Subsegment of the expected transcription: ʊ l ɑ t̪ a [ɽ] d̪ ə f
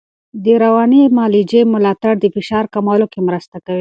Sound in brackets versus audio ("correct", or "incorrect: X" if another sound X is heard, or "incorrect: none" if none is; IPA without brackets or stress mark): correct